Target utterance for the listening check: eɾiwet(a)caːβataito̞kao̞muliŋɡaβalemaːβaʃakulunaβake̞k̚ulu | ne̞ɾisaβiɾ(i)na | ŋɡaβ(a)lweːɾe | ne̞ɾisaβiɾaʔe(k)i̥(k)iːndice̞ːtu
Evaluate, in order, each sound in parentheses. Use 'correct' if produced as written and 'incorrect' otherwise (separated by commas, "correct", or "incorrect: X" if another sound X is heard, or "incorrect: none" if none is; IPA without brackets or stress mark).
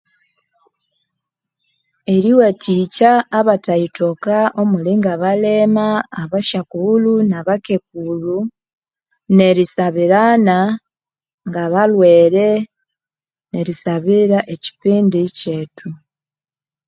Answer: incorrect: i, incorrect: a, correct, incorrect: c, incorrect: p